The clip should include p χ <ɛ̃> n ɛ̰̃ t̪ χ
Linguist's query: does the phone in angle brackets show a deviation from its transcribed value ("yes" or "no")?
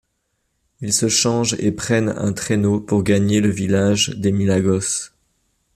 yes